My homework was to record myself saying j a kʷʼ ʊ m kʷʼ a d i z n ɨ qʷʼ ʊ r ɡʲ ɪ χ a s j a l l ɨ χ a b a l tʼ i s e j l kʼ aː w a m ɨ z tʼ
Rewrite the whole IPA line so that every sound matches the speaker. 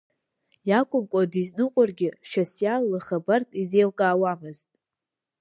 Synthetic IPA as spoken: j a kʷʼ ʊ m kʷʼ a d i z n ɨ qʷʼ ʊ r ɡʲ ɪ ʃ a s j a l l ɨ χ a b a r tʼ i z e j l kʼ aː w a m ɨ z tʼ